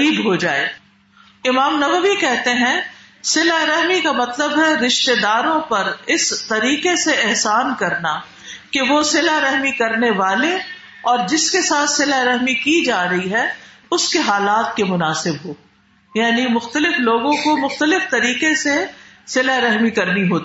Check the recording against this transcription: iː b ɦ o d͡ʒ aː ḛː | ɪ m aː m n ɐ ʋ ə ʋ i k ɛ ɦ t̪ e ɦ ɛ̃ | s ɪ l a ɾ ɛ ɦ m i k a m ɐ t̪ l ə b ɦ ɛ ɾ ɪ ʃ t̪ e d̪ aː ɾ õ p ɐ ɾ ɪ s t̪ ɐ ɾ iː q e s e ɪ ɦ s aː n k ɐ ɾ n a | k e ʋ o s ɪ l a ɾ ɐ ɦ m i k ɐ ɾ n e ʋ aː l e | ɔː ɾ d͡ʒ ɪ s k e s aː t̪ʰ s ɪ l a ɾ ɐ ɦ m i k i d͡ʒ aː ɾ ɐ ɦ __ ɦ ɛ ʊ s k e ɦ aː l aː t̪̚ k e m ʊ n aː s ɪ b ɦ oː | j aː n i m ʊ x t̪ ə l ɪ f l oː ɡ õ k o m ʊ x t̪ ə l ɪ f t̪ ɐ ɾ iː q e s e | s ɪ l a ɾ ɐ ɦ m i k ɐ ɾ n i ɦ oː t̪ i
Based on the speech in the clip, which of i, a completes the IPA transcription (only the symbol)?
i